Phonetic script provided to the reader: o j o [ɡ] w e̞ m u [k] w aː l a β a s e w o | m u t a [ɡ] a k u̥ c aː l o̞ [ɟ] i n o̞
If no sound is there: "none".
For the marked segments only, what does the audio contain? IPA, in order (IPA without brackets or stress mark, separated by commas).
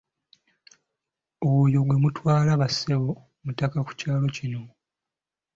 ɡ, t, k, c